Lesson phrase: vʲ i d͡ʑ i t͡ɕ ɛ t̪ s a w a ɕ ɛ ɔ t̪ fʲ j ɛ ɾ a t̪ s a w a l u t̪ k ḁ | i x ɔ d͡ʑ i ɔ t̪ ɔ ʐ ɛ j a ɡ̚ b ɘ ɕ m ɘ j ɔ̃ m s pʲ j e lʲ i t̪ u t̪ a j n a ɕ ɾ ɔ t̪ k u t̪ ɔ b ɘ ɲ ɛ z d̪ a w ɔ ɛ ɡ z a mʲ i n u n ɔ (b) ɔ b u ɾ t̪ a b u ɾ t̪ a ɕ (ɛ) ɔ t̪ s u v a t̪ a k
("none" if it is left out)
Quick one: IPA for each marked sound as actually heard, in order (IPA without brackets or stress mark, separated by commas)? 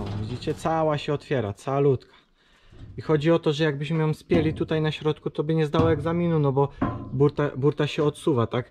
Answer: b, ɛ